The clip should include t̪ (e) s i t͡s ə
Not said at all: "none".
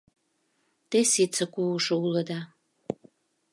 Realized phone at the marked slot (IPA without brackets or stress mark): e